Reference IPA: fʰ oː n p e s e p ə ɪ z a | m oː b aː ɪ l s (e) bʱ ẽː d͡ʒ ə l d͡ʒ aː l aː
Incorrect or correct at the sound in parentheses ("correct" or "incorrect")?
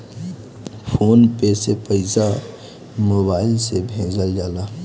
correct